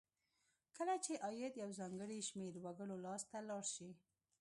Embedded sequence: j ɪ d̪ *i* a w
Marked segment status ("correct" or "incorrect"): incorrect